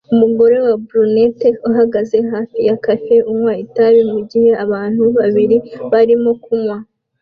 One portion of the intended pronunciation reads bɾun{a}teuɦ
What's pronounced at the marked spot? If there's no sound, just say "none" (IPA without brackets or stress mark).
e